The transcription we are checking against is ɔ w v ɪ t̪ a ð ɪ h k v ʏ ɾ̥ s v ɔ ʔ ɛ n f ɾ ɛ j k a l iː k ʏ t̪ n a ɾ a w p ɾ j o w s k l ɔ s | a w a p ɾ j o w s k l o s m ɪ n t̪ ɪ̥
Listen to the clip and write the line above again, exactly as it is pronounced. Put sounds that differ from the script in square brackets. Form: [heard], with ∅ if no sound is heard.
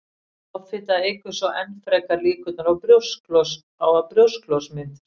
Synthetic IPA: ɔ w [f] ɪ t̪ a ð ɪ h k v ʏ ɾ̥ s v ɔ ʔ ɛ n f ɾ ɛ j k a l iː k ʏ t̪ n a ɾ a w p ɾ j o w s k l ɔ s | a w a p ɾ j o w s k l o s m ɪ n t̪ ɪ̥

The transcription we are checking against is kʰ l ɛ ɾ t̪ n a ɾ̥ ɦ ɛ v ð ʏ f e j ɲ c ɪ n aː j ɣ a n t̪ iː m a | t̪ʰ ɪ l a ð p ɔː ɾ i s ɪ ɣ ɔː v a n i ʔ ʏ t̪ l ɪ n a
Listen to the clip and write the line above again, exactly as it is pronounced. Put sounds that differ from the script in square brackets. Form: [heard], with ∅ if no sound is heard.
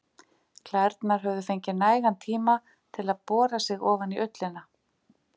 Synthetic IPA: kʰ l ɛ ɾ t̪ n a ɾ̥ ɦ [œ] v ð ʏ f e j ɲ c ɪ n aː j ɣ a n [t̪ʰ] iː m a | t̪ʰ ɪ l a ð p ɔː ɾ [a] s ɪ ɣ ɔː v a n i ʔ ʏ t̪ l ɪ n a

